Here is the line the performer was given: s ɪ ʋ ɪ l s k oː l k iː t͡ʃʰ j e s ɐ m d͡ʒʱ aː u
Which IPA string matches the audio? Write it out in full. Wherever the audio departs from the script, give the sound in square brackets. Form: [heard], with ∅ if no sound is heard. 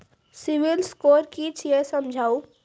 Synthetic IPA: s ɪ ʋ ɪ l s k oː [ɾ] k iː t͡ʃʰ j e s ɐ m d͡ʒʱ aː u